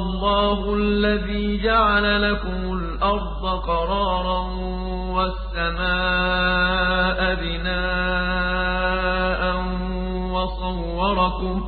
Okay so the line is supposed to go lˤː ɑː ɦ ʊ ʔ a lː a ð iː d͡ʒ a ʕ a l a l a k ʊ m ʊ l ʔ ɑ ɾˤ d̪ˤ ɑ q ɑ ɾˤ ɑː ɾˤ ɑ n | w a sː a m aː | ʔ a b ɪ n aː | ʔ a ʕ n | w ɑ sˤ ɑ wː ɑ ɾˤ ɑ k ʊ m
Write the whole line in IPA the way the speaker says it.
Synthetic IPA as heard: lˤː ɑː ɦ ʊ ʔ a lː a ð iː d͡ʒ a ʕ a l a l a k ʊ m ʊ l ʔ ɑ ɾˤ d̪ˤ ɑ q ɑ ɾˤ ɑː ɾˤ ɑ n | w a sː a m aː | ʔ a b ɪ n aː | ʔ a n | w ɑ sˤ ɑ wː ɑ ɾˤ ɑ k ʊ m